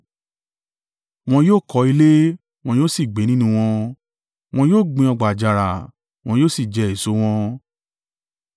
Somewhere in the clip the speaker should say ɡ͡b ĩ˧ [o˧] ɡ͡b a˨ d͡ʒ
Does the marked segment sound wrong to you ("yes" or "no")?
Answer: yes